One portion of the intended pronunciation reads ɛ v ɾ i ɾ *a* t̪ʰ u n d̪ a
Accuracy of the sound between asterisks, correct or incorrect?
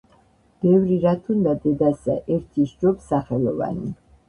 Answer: correct